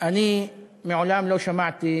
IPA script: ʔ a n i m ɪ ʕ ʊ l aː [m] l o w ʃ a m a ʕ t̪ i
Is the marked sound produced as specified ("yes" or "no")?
yes